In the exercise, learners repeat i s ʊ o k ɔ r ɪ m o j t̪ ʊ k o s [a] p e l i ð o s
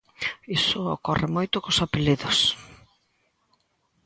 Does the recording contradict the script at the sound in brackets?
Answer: no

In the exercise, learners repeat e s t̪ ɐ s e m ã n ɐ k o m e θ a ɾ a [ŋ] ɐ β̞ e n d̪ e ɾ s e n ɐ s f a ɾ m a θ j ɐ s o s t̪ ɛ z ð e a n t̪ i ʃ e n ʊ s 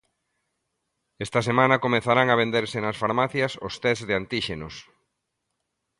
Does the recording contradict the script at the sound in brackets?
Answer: no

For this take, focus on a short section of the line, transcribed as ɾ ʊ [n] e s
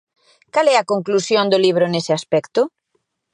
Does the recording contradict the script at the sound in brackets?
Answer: no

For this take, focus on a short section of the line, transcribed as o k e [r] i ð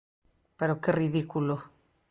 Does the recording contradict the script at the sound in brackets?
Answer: no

